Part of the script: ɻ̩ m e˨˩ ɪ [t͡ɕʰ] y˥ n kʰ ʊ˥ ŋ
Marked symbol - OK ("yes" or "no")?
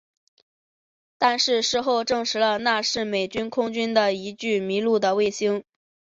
no